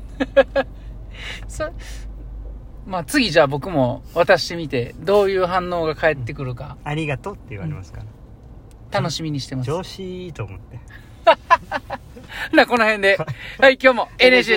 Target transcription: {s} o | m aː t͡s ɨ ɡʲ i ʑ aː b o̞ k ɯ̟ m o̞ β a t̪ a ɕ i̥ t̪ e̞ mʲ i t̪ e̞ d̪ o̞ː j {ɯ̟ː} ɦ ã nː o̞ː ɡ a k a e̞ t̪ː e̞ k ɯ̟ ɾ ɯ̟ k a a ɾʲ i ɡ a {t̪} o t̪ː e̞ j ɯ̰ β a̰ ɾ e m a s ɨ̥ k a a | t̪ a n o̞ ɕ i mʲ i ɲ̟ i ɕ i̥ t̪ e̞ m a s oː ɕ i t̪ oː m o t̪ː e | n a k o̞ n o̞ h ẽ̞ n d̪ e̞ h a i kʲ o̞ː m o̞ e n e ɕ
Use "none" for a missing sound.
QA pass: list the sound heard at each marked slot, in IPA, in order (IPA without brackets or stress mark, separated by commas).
s, ɯ̟ː, t̪